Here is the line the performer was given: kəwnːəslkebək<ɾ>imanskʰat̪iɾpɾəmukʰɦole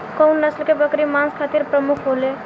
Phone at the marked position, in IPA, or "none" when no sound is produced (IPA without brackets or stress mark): ɾ